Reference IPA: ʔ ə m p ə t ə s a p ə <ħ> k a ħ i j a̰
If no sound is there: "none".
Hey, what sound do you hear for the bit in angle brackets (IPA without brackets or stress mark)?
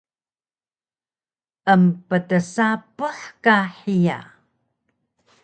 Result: ħ